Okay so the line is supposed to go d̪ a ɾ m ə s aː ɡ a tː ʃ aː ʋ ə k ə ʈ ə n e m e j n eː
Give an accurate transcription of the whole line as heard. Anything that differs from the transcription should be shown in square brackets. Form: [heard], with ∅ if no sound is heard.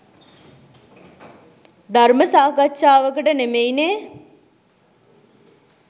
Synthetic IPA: d̪ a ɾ m ə s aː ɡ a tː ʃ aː ʋ ə k ə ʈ ə n e m e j n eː